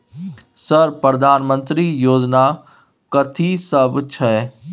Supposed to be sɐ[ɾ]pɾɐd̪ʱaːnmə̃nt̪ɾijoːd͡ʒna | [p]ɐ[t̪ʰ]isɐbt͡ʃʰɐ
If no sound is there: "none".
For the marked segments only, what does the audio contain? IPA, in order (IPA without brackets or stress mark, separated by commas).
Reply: ɾ, k, t̪ʰ